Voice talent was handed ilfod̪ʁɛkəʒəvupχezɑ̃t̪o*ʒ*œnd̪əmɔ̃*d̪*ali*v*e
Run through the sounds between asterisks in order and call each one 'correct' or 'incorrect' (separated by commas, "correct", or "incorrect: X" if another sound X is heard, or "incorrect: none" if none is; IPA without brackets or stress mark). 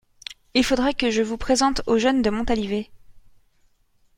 correct, incorrect: t̪, correct